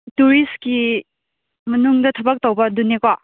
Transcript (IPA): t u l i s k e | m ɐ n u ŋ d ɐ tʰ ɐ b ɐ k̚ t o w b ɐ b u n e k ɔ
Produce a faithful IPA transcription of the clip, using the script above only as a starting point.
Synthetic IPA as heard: t u ɾ i s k i | m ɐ n u ŋ d ɐ tʰ ɐ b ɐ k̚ t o w b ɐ d u n e k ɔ